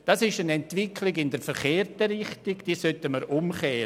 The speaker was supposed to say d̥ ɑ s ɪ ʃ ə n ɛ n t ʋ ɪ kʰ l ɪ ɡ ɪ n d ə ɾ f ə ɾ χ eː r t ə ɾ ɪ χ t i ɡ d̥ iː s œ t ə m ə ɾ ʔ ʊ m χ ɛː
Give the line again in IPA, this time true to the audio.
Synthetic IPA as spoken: d̥ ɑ s ɪ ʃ ə n ɛ n t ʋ ɪ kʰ l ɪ ɡ ɪ n d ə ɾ f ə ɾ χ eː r t ə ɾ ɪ χ t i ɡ d̥ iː s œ t ə m ə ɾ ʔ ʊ m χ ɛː